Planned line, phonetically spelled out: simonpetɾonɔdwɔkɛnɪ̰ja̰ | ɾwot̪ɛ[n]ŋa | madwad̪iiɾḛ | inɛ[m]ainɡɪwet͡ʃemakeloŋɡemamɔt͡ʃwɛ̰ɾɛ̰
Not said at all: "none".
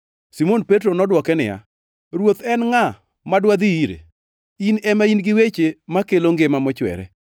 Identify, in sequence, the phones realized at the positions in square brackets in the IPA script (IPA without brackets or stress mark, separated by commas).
n, m